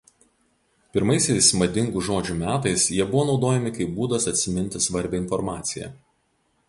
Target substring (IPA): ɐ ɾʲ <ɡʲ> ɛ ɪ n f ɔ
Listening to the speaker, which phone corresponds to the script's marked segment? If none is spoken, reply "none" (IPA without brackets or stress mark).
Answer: bʲ